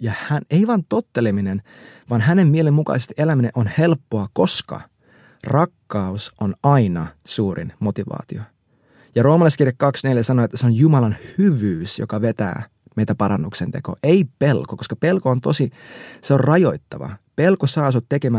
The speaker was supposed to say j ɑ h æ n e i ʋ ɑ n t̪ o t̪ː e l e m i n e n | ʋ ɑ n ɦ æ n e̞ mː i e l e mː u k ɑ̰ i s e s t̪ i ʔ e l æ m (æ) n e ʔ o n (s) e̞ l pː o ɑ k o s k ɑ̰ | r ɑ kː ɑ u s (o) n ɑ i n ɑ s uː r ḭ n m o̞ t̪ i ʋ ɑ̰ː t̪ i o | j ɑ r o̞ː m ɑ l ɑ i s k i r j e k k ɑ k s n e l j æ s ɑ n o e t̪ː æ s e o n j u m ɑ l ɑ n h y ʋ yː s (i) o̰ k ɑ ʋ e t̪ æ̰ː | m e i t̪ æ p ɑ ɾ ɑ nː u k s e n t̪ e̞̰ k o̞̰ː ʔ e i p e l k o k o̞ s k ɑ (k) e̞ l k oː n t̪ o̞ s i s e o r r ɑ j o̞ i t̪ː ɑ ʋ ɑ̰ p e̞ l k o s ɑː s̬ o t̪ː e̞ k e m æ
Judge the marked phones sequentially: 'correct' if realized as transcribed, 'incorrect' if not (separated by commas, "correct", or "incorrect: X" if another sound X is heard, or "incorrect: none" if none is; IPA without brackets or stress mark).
incorrect: i, incorrect: h, correct, incorrect: j, incorrect: p